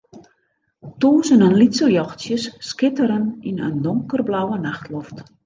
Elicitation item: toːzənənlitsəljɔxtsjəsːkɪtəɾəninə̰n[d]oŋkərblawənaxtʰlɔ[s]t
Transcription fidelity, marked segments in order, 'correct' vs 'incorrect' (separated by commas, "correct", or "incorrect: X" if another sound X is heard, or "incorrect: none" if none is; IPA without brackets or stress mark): correct, incorrect: f